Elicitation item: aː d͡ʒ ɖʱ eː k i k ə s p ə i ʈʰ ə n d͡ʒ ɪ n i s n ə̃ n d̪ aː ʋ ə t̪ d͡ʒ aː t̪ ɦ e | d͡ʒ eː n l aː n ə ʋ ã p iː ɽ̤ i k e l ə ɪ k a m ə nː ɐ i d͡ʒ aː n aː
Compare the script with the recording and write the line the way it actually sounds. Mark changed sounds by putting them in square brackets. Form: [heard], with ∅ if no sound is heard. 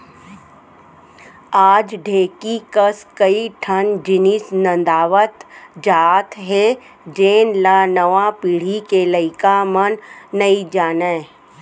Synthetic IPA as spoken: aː d͡ʒ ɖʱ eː k i k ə s [k] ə i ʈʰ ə n d͡ʒ ɪ n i s n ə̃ n d̪ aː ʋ ə t̪ d͡ʒ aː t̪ ɦ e | d͡ʒ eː n l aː n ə ʋ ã p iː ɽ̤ i k e l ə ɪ k a m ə nː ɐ i d͡ʒ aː n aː

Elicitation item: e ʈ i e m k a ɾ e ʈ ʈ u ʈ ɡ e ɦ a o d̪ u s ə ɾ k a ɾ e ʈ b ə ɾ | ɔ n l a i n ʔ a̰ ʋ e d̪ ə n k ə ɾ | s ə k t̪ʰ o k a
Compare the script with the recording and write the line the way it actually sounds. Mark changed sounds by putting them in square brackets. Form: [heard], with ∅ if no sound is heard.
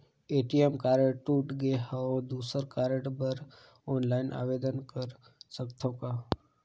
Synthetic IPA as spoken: e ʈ i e m k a ɾ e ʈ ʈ u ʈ ɡ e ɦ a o d̪ u s ə ɾ k a ɾ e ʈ b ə ɾ | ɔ n l a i n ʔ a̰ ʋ e d̪ ə n k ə ɾ | s ə k t̪ʰ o k a

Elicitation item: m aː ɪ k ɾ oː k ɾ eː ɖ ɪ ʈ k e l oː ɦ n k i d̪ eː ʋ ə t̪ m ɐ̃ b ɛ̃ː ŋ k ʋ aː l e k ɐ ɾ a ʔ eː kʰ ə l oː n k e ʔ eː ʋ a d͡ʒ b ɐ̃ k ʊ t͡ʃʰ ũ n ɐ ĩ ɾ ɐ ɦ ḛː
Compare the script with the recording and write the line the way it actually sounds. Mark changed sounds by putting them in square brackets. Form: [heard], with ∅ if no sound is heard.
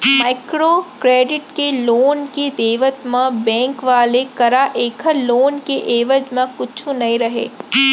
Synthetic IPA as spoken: m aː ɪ k ɾ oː k ɾ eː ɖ ɪ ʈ k e l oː [∅] n k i d̪ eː ʋ ə t̪ m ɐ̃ b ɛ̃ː ŋ k ʋ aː l e k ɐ ɾ a ʔ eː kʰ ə l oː n k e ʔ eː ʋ [ə] d͡ʒ [m] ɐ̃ k ʊ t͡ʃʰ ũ n ɐ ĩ ɾ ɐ ɦ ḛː

